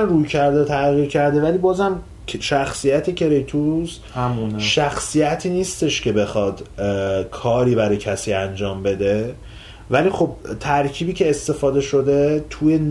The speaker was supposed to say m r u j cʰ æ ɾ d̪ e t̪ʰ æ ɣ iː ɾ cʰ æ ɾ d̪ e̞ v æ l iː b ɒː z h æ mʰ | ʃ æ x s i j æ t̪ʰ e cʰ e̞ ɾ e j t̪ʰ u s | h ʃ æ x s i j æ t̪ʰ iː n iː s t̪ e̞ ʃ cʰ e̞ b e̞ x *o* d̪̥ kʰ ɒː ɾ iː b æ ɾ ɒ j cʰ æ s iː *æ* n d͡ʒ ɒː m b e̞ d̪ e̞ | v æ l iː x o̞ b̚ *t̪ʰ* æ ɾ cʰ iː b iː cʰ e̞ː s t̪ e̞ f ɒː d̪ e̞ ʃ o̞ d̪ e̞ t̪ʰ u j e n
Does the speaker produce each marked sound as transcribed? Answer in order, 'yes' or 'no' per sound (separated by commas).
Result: no, yes, yes